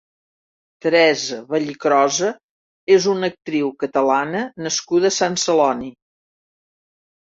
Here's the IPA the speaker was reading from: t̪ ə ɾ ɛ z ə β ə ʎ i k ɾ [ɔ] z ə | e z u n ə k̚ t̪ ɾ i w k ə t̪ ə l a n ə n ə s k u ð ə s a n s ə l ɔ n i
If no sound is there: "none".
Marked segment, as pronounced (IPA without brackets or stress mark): ɔ